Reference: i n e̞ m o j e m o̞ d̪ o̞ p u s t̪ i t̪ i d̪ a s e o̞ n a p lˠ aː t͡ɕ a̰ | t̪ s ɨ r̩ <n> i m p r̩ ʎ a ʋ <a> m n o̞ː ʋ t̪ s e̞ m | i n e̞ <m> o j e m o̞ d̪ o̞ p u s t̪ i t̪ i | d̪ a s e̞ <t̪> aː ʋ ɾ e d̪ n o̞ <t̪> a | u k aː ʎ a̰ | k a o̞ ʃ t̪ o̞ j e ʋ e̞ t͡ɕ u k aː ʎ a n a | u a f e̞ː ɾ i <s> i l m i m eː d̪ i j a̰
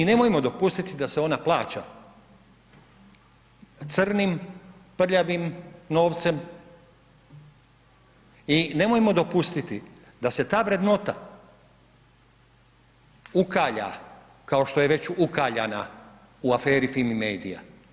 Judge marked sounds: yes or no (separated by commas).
yes, no, yes, yes, yes, no